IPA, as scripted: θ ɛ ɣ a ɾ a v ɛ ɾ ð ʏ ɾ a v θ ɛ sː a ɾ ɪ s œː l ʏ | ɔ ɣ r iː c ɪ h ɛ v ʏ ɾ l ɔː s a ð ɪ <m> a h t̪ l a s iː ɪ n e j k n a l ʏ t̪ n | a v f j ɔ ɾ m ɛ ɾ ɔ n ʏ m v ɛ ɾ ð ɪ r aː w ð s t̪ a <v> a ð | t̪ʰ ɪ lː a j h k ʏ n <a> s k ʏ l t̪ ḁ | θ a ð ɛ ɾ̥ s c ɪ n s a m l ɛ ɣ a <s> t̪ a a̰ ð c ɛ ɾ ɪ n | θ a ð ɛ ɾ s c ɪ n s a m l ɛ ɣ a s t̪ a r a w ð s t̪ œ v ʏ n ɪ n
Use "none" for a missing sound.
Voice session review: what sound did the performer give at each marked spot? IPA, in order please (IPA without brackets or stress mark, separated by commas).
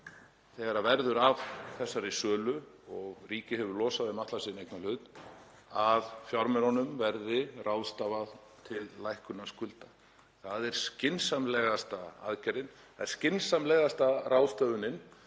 m, v, a, s